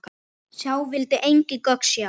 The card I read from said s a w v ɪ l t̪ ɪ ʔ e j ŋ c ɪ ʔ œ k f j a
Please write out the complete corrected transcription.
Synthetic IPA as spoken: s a w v ɪ l t̪ ɪ ʔ e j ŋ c ɪ k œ k s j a